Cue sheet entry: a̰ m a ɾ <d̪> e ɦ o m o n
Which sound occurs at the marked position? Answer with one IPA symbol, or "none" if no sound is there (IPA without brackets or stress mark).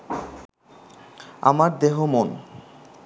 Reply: d̪